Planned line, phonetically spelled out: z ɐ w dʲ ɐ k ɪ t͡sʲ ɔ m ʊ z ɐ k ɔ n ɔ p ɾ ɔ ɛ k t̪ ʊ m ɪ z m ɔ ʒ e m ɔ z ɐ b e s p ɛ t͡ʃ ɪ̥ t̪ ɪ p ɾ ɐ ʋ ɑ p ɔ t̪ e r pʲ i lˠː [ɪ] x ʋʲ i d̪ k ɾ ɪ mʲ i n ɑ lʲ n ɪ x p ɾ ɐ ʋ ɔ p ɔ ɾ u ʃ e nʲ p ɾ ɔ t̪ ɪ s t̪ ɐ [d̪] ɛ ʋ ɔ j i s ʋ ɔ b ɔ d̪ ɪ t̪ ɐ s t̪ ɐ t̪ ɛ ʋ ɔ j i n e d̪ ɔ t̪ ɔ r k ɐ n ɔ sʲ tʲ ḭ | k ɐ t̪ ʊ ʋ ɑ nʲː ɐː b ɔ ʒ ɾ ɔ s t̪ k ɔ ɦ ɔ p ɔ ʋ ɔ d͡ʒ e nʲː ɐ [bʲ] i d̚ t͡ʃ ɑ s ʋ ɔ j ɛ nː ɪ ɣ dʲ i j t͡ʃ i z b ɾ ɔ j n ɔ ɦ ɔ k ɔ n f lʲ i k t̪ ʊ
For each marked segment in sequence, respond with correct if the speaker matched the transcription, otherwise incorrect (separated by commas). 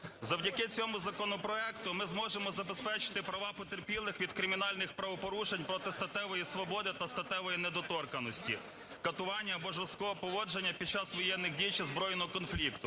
correct, incorrect, incorrect